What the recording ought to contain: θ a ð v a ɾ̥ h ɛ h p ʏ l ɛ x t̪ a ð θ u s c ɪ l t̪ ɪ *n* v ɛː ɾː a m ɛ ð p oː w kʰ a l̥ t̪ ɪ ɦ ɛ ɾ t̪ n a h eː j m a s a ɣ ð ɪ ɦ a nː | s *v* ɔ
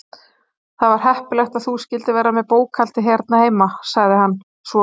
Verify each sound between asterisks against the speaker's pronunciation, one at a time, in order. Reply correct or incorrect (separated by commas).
incorrect, correct